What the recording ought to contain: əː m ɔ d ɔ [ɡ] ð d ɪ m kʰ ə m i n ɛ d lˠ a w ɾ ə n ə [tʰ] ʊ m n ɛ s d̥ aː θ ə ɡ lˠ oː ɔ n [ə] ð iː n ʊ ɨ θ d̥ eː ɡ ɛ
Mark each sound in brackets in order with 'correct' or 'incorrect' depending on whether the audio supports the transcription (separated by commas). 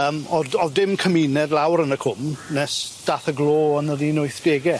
incorrect, incorrect, correct